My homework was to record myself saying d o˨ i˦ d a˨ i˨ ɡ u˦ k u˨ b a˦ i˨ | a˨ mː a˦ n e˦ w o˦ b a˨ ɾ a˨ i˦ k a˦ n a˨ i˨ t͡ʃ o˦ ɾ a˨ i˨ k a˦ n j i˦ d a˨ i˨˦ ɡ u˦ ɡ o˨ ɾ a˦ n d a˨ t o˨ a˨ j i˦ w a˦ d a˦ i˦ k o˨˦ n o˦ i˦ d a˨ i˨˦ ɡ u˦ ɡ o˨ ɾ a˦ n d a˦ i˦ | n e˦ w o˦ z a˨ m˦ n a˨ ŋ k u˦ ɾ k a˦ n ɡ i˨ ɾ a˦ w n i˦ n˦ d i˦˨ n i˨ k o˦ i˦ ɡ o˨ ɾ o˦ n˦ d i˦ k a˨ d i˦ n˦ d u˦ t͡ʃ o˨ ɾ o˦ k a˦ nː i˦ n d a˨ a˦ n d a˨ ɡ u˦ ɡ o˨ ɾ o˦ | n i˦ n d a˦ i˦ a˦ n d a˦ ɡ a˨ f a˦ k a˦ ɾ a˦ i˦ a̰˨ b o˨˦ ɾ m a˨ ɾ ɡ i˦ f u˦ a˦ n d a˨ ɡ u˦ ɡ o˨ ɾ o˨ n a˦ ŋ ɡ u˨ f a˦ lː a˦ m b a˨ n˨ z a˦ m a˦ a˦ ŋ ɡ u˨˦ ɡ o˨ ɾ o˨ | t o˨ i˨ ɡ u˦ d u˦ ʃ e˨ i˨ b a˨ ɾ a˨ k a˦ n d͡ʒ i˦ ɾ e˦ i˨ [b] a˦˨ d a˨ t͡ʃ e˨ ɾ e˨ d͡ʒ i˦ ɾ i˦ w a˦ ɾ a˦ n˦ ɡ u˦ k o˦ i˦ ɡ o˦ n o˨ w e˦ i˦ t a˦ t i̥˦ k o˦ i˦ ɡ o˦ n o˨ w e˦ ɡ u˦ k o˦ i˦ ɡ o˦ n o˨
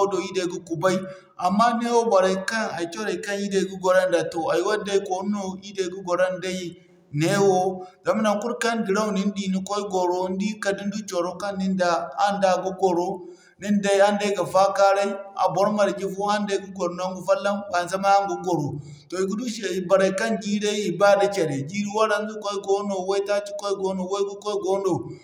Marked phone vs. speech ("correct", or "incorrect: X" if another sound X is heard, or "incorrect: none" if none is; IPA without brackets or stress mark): correct